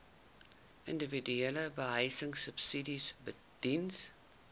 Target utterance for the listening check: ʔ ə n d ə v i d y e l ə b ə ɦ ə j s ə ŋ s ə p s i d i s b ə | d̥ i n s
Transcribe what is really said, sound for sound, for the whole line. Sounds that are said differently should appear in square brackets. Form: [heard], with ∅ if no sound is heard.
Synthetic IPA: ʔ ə n d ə v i d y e l ə b ə ɦ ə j s ə ŋ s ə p s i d i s b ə | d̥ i n s